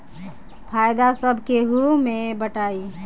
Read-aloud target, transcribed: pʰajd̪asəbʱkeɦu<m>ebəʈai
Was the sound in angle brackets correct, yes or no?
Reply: yes